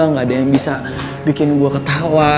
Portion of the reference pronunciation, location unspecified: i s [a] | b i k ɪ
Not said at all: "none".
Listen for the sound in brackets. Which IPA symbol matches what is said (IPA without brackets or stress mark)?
a